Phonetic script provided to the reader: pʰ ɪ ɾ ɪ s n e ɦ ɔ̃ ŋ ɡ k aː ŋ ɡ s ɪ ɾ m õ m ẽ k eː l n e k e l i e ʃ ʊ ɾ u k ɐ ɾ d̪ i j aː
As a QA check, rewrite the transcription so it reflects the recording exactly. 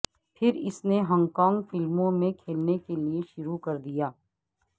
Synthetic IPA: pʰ ɪ ɾ ɪ s n e ɦ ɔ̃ ŋ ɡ k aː ŋ ɡ f ɪ l m õ m ẽ kʰ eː l n e k e l i e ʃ ʊ ɾ u k ɐ ɾ d̪ i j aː